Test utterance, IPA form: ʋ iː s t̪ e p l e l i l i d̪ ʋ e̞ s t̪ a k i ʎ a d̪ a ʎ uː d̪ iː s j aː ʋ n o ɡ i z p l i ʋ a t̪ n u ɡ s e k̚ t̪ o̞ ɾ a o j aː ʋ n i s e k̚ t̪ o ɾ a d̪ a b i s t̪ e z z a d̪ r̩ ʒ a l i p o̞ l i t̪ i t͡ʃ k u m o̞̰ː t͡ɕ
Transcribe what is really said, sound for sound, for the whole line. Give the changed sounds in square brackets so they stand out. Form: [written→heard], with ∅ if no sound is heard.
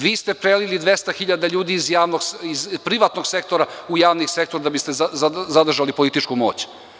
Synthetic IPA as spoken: ʋ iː s t̪ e p [l→ɾ] e l i l i d̪ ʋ e̞ s t̪ a [k→x] i ʎ a d̪ a ʎ uː d̪ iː [s→z] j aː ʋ n o ɡ i z p [l→ɾ] i ʋ a t̪ n [u→o] ɡ s e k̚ t̪ o̞ ɾ a [o→u] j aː ʋ n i s e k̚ t̪ o ɾ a d̪ a b i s t̪ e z z a d̪ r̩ ʒ a l i p o̞ l i t̪ i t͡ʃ k u m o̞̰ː t͡ɕ